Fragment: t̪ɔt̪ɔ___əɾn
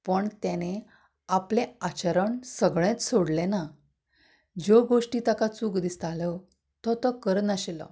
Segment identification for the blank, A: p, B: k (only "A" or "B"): B